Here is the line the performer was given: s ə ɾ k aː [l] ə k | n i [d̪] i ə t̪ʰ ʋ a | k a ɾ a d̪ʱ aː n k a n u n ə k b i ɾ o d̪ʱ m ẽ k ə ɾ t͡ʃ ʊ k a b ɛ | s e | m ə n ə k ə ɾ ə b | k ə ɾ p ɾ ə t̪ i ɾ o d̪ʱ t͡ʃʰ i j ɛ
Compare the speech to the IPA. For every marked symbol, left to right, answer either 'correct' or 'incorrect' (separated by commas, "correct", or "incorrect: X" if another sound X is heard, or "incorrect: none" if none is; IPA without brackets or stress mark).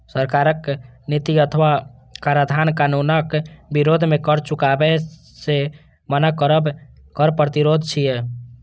incorrect: ɾ, incorrect: t̪